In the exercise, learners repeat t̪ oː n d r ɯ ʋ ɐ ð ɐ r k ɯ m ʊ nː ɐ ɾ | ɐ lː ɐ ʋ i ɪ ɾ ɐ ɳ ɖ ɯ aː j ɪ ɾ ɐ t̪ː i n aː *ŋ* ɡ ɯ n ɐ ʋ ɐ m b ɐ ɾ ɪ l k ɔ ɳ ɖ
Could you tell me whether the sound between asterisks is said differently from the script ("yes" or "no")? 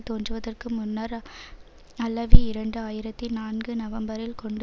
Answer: yes